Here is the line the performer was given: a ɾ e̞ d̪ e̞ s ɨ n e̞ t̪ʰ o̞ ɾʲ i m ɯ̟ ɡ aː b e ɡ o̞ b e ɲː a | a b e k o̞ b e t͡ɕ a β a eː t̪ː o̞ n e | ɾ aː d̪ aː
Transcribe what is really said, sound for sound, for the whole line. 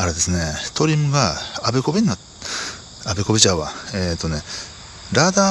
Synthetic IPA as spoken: a ɾ e̞ d̪ e̞ s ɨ n e̞ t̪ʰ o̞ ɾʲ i m ɯ̟ ɡ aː b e k o̞ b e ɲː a | a b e k o̞ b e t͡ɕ a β a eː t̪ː o̞ n e | ɾ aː d̪ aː